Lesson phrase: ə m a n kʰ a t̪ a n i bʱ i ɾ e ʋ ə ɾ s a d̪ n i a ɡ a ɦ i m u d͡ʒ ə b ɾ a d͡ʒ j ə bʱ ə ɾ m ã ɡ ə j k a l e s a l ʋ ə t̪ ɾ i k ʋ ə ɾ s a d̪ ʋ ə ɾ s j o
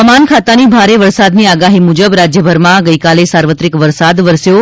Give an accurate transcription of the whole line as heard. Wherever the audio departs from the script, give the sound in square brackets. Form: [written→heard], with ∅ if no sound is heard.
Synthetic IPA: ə m a n kʰ a t̪ a n i bʱ [i→a] ɾ e ʋ ə ɾ s a d̪ n i a ɡ a ɦ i m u d͡ʒ ə b ɾ a d͡ʒ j ə bʱ ə ɾ m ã ɡ ə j k a l e s a [l→ɾ] ʋ ə t̪ ɾ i k ʋ ə ɾ s a d̪ ʋ ə ɾ s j o